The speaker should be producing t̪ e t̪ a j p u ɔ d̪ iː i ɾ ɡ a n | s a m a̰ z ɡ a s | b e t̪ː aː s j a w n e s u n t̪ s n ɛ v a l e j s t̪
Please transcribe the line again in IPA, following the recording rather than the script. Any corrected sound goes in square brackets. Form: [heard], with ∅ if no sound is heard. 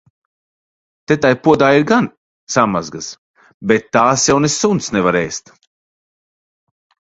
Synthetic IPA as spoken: t̪ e t̪ a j p u ɔ d̪ [aː] i ɾ ɡ a n | s a m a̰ z ɡ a s | b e t̪ː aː s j a w n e s u n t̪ s n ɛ v a [ɾ] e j s t̪